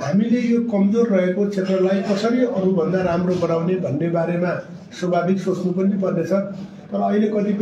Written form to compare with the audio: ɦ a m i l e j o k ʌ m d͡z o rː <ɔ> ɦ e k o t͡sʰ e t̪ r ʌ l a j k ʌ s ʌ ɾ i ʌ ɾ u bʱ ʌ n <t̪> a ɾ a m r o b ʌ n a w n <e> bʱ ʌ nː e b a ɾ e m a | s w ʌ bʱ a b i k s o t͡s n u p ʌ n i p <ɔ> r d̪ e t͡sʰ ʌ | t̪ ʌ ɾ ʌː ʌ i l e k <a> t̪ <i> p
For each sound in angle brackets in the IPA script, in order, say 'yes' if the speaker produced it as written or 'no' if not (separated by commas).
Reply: no, no, yes, no, no, yes